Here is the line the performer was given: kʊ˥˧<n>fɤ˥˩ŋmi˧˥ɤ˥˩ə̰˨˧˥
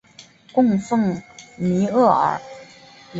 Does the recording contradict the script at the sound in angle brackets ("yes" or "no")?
yes